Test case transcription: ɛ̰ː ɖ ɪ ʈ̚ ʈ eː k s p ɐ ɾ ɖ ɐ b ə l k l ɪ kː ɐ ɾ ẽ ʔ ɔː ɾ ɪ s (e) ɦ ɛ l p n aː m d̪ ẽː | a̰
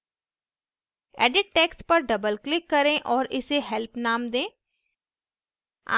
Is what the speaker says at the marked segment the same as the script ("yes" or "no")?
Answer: yes